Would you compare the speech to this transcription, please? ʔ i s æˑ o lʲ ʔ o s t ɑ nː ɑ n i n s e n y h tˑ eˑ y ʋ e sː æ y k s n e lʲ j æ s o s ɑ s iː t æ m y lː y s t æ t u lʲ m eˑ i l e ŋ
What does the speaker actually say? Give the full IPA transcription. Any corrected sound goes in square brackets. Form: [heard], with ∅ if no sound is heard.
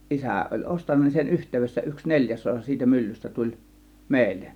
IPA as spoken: ʔ i s æˑ o lʲ ʔ o s t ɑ nː ɑ n i n s e n y h tˑ eˑ y ʋ e sː æ y k s n e lʲ j æ s o s ɑ s iː t æ m y lː y s t æ t u lʲ m eˑ i [lː] e [n]